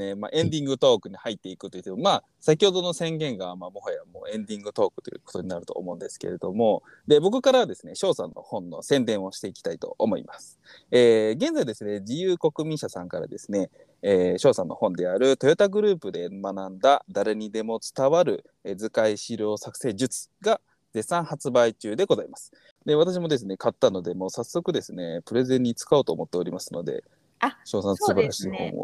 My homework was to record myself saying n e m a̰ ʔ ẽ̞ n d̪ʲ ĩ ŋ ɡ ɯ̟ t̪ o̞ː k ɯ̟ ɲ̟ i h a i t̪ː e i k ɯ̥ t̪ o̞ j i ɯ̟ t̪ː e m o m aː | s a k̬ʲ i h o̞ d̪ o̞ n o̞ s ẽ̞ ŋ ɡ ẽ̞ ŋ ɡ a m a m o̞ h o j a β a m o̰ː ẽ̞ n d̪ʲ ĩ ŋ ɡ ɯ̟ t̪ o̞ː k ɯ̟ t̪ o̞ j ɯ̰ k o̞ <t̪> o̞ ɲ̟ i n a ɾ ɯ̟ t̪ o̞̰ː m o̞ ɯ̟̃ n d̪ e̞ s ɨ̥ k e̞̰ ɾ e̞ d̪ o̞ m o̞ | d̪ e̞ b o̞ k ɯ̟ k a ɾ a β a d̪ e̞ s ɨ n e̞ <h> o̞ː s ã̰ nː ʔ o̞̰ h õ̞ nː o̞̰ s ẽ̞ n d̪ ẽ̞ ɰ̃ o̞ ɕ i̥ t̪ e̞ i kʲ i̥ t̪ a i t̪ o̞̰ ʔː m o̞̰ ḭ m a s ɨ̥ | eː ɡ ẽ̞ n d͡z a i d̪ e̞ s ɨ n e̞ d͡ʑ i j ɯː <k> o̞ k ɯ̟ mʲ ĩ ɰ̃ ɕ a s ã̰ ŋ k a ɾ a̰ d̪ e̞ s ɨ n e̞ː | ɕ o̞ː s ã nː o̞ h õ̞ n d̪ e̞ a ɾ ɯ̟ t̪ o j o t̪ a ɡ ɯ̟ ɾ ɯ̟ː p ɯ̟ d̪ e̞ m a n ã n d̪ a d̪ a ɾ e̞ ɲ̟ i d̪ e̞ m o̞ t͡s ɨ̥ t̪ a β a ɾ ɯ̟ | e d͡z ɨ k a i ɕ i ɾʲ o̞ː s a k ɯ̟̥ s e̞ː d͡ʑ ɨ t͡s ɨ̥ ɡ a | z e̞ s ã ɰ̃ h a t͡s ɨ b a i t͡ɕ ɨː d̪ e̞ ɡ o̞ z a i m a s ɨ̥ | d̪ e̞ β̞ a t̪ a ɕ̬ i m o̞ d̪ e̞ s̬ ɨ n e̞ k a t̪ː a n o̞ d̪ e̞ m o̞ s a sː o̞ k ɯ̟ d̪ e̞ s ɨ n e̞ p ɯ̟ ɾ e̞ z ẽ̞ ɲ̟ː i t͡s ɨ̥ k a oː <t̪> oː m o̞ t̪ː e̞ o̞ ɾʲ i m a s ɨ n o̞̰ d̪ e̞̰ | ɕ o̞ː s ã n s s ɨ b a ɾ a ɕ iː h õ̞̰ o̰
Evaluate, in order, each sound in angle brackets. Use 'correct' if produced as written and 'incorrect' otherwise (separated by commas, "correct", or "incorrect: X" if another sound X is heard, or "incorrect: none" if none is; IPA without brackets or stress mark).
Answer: correct, incorrect: ɕ, correct, correct